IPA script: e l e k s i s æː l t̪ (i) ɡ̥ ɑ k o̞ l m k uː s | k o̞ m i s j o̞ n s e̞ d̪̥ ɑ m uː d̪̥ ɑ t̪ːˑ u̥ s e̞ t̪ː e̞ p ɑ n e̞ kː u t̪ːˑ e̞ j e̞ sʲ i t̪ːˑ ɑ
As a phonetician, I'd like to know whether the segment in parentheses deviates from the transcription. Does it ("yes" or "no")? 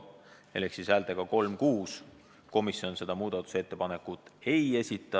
yes